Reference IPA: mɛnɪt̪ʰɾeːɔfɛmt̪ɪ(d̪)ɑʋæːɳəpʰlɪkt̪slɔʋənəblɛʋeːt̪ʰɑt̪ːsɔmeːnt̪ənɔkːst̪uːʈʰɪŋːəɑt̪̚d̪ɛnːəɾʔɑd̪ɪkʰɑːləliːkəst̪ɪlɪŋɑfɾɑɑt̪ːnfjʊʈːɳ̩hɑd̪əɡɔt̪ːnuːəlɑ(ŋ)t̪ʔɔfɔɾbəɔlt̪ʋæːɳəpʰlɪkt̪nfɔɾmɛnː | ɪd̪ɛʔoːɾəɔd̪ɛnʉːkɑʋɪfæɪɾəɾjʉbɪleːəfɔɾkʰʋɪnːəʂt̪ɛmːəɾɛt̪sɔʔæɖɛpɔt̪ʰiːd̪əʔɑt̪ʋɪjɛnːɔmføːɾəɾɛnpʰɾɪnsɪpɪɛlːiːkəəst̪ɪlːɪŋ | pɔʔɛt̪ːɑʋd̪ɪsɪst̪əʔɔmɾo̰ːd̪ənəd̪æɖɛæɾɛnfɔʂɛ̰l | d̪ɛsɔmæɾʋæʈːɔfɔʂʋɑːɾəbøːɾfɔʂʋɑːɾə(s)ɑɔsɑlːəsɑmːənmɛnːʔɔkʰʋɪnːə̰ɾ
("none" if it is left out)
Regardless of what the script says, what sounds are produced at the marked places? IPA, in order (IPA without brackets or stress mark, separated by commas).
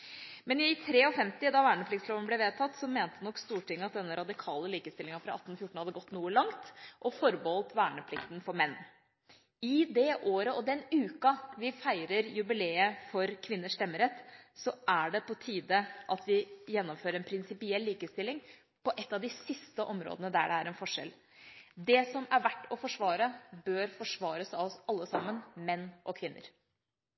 d̪, ŋ, s